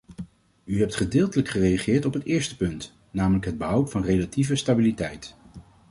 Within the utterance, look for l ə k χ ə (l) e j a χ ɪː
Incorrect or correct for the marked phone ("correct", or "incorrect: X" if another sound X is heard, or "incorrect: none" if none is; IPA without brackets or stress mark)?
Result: incorrect: r